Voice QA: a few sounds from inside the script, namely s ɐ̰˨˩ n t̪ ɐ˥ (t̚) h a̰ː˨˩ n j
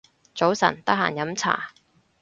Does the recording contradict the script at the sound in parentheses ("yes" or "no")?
yes